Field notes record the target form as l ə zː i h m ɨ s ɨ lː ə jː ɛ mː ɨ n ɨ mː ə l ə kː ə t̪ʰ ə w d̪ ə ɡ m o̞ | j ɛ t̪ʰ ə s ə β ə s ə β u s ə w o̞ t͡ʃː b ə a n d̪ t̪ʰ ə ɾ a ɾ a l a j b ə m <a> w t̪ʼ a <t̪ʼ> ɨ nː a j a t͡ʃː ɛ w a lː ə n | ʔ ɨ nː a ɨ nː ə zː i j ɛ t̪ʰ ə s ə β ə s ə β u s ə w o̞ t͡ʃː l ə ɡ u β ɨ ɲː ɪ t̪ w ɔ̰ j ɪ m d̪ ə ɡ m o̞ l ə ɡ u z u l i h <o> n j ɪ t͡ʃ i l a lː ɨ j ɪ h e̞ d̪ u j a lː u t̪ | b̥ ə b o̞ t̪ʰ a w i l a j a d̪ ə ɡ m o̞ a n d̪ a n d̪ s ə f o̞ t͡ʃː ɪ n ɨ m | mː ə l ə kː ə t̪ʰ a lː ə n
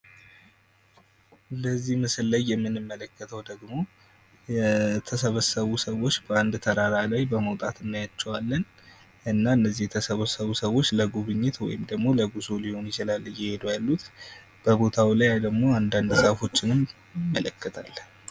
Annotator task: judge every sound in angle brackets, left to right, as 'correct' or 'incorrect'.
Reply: incorrect, incorrect, correct

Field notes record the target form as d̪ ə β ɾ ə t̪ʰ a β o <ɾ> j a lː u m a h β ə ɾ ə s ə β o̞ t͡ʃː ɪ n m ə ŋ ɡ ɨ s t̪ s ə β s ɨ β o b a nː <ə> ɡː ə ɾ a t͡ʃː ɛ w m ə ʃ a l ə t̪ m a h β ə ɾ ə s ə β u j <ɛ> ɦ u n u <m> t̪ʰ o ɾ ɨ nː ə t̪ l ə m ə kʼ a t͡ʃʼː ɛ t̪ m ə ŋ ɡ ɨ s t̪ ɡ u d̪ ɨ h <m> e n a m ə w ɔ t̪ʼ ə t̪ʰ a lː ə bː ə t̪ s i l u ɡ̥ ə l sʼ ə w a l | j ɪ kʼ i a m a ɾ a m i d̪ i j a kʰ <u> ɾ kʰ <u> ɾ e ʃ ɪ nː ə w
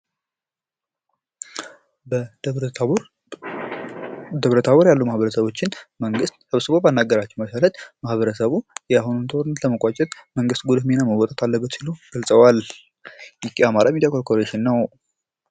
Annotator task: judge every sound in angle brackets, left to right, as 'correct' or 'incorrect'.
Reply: correct, incorrect, incorrect, incorrect, correct, incorrect, incorrect

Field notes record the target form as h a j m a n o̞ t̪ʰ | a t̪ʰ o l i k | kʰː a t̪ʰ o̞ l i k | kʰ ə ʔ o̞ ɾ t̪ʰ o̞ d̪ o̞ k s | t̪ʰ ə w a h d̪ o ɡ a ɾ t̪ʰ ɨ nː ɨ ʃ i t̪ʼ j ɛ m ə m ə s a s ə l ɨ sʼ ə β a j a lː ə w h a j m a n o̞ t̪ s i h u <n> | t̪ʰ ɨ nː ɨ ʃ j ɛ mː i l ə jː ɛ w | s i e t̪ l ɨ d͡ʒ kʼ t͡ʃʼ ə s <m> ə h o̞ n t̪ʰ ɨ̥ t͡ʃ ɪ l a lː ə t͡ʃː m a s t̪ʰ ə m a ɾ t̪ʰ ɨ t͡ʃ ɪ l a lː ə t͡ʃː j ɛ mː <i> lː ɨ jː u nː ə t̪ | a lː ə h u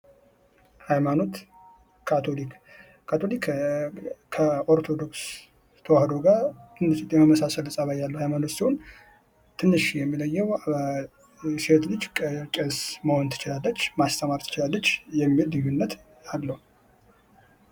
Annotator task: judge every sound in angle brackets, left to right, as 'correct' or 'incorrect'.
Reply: correct, correct, correct

